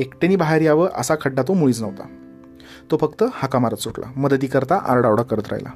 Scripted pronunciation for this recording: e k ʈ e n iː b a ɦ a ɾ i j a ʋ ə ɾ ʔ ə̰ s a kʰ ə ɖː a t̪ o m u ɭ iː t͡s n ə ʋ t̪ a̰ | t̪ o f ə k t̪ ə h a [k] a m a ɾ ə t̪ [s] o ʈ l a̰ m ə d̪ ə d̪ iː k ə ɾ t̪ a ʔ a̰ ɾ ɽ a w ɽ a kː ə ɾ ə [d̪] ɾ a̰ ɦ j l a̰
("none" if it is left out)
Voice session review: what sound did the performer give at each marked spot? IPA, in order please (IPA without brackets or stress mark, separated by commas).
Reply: k, s, t̪